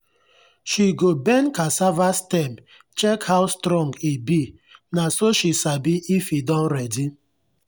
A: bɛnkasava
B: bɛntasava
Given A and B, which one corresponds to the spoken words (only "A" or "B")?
A